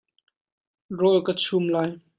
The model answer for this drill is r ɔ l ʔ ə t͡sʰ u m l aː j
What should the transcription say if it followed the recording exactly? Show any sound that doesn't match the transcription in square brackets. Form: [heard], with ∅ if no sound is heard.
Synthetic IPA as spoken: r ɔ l [k] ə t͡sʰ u m l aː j